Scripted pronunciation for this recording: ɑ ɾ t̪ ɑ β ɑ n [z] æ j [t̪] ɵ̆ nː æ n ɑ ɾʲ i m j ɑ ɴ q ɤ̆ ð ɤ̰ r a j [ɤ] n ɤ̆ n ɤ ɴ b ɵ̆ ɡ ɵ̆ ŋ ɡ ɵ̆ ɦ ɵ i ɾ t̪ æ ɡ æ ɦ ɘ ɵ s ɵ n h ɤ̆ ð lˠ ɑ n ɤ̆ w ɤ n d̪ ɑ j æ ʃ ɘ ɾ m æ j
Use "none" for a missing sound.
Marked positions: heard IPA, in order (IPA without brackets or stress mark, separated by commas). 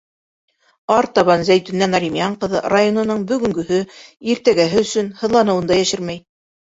z, t̪, o